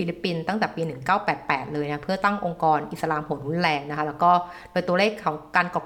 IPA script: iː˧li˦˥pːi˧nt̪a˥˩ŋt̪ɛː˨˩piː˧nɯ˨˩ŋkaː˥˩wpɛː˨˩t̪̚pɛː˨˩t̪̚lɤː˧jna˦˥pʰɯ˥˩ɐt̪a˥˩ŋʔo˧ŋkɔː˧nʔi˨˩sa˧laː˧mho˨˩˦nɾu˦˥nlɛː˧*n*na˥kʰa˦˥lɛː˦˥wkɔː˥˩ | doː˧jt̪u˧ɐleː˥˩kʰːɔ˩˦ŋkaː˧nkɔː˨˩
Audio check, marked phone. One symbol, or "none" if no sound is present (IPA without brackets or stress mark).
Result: ŋ